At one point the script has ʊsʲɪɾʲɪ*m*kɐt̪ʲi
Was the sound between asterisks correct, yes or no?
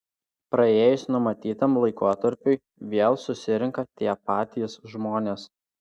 no